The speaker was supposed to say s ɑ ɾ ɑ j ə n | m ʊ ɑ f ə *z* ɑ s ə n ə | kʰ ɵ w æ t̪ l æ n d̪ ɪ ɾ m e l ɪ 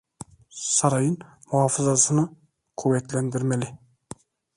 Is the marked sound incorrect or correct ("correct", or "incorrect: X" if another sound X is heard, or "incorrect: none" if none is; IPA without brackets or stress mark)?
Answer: correct